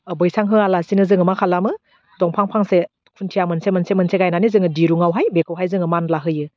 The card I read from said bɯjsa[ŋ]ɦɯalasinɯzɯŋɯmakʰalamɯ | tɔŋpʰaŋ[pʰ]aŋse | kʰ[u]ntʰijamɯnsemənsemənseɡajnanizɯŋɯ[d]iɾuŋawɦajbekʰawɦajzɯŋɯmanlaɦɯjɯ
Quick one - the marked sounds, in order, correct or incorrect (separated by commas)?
correct, correct, correct, correct